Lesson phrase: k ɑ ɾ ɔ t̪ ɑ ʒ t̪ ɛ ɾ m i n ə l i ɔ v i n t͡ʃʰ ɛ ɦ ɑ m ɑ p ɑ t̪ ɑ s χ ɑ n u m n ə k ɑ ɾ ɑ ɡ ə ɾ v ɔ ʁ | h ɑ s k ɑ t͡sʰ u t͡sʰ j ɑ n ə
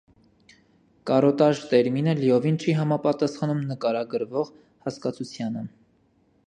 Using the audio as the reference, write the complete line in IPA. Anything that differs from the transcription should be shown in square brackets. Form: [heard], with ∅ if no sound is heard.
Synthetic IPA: k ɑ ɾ ɔ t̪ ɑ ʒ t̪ ɛ ɾ m i n ə l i ɔ v i n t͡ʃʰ [i] ɦ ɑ m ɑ p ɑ t̪ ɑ s χ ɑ n u m n ə k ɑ ɾ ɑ ɡ ə ɾ v ɔ ʁ | h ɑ s k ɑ t͡sʰ u t͡sʰ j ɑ n ə